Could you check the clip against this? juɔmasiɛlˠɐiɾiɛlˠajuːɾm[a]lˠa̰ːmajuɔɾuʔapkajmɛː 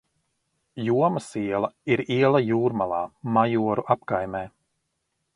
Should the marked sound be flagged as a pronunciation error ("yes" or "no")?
no